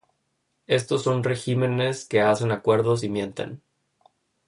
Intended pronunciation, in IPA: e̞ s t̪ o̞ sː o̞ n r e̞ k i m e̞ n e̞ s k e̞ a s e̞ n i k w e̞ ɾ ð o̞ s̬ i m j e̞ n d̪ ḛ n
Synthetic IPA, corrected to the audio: e̞ s t̪ o̞ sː o̞ n r e̞ x i m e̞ n e̞ s k e̞ a s e̞ n a k w e̞ ɾ ð o̞ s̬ i m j e̞ n t̪ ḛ n